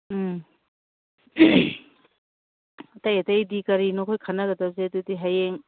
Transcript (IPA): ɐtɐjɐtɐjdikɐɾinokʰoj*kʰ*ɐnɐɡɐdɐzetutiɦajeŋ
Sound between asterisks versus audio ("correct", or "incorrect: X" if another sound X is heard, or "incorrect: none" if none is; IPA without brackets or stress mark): correct